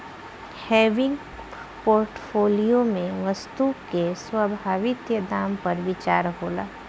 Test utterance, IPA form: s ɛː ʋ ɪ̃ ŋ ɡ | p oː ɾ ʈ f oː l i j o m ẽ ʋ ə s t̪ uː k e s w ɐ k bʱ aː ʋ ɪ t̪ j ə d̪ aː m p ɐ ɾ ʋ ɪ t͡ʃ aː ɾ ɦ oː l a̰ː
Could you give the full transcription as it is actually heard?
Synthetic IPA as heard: h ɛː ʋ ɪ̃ ŋ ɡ | p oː ɾ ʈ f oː l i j o m ẽ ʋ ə s t̪ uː k e s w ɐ bʱ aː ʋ ɪ t̪ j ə d̪ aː m p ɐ ɾ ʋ ɪ t͡ʃ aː ɾ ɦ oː l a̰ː

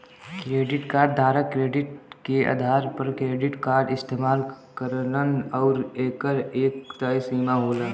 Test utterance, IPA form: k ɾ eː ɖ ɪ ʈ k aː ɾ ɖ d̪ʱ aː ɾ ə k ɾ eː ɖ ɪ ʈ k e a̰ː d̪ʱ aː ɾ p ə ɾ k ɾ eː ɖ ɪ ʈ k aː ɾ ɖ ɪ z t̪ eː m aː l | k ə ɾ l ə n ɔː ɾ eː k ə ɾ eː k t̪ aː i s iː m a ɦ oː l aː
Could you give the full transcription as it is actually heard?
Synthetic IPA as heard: k ɾ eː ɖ ɪ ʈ k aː ɾ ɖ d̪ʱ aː ɾ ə k ɾ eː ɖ ɪ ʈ k e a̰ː d̪ʱ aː ɾ p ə ɾ k ɾ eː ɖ ɪ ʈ k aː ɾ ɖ ɪ s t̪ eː m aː l | k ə ɾ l ə n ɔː ɾ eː k ə ɾ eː k t̪ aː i s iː m a ɦ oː l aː

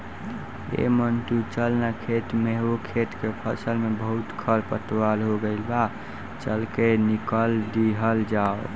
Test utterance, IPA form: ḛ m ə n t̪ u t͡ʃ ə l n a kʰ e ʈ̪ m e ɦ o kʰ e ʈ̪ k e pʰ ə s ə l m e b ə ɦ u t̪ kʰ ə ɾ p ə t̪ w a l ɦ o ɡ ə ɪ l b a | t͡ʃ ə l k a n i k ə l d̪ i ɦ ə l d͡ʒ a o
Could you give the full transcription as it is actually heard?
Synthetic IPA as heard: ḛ m ə n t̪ u t͡ʃ ə l n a kʰ e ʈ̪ m e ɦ o kʰ e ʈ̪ k e pʰ ə s ə l m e b ə ɦ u t̪ kʰ ə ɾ p ə t̪ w a l ɦ o ɡ ə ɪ l b a | t͡ʃ ə l k e n i k ə l d̪ i ɦ ə l d͡ʒ a o

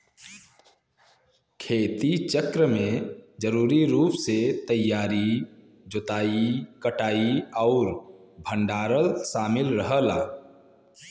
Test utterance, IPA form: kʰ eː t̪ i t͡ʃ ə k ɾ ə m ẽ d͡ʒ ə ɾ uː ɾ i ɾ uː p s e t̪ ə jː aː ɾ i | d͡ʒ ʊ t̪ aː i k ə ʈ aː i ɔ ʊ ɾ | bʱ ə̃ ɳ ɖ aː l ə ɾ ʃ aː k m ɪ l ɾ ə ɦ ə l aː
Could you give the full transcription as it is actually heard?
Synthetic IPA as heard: kʰ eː t̪ i t͡ʃ ə k ɾ ə m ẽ d͡ʒ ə ɾ uː ɾ i ɾ uː p s e t̪ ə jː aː ɾ i | d͡ʒ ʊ t̪ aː i k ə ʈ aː i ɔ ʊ ɾ | bʱ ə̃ ɳ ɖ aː ɾ ə l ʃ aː m ɪ l ɾ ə ɦ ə l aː

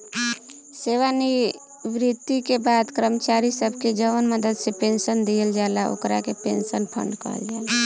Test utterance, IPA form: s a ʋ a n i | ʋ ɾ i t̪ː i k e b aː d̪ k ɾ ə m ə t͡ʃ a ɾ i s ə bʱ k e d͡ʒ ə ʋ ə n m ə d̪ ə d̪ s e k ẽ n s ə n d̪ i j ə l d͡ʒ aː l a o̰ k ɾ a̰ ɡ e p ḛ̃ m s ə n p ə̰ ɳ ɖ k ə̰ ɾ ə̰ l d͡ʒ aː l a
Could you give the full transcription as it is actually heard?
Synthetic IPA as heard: s e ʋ a n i | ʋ ɾ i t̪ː i k e b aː d̪ k ɾ ə m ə t͡ʃ a ɾ i s ə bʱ k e d͡ʒ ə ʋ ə n m ə d̪ ə d̪ s e p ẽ n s ə n d̪ i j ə l d͡ʒ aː l a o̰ k ɾ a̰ k e p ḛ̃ n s ə n pʰ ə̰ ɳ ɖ k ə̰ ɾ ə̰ l d͡ʒ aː l a

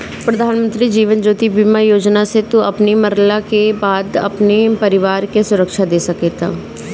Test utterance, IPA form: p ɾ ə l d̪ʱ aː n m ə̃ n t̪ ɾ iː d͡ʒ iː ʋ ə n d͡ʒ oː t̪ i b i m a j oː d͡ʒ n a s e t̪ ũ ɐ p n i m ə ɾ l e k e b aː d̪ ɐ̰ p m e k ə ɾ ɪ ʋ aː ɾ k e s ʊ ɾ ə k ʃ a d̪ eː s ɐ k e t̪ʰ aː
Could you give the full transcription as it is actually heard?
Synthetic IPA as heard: p ɾ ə d̪ʱ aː n m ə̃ n t̪ ɾ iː d͡ʒ iː ʋ ə n d͡ʒ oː t̪ i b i m a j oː d͡ʒ n a s e t̪ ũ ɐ p n i m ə ɾ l a k e b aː d̪ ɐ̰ p n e p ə ɾ ɪ ʋ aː ɾ k e s ʊ ɾ ə k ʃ a d̪ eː s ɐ k e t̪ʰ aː

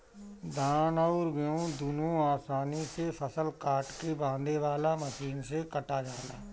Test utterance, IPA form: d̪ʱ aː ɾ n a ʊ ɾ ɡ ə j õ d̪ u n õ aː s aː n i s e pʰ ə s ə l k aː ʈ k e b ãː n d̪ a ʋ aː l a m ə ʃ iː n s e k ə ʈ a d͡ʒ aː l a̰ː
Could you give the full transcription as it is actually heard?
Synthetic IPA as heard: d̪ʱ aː n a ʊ ɾ ɡ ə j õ d̪ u n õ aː s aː n i s e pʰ ə s ə l k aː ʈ k e b ãː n d̪ e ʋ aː l a m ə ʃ iː n s e k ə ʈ a d͡ʒ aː l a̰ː

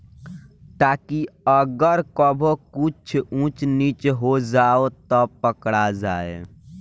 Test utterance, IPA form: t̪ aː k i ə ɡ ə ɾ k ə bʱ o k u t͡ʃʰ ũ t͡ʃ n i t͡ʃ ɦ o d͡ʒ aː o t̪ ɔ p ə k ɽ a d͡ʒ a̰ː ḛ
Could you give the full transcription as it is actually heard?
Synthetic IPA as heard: t̪ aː k i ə ɡ ə ɾ k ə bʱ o k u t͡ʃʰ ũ t͡ʃ n i t͡ʃ ɦ o d͡ʒ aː o t̪ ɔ p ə k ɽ a d͡ʒ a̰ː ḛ

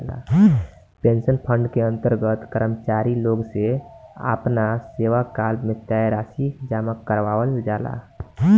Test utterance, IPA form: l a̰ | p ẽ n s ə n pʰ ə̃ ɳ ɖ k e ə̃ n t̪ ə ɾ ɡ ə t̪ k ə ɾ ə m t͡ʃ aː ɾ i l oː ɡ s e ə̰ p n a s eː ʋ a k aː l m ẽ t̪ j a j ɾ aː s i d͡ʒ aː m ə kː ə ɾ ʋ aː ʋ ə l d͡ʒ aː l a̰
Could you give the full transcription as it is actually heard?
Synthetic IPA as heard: l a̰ | p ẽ n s ə n pʰ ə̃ ɳ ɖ k e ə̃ n t̪ ə ɾ ɡ ə t̪ k ə ɾ ə m t͡ʃ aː ɾ i l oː ɡ s e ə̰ p n a s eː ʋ a k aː l m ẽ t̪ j a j ɾ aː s i d͡ʒ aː m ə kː ə ɾ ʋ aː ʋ ə l d͡ʒ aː l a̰

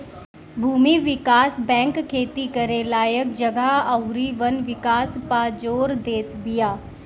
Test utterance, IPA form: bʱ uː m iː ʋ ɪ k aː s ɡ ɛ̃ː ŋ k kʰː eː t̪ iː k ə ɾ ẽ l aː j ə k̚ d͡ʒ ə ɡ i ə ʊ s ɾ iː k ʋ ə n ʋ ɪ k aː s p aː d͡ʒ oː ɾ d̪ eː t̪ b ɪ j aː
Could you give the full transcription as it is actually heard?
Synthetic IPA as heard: bʱ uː m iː ʋ ɪ k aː s b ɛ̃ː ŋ k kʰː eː t̪ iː k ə ɾ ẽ l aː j ə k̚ d͡ʒ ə ɡ a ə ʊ ɾ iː ʋ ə n ʋ ɪ k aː s p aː d͡ʒ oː ɾ d̪ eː t̪ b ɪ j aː

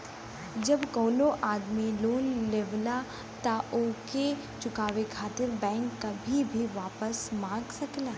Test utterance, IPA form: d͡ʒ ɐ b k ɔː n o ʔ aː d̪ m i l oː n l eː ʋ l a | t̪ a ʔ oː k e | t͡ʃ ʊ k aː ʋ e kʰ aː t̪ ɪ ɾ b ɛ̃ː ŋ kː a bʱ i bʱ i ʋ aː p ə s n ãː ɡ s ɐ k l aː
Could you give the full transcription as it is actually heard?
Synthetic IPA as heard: d͡ʒ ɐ b k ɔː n o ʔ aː d̪ m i l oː n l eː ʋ l a | t̪ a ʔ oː k e | t͡ʃ ʊ k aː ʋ e kʰ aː t̪ ɪ ɾ b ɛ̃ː ŋ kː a bʱ i bʱ i ʋ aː p ə s m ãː ɡ s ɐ k l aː

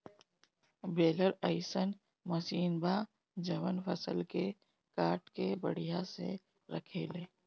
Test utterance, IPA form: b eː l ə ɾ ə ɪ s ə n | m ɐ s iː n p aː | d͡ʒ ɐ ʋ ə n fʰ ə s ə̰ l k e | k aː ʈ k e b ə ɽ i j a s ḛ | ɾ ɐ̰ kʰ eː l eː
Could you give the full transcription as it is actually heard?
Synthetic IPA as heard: b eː l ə ɾ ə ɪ s ə n | m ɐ s iː n b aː | d͡ʒ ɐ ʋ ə n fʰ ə s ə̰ l k e | k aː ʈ k e b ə ɽ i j a s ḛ | ɾ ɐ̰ kʰ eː l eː

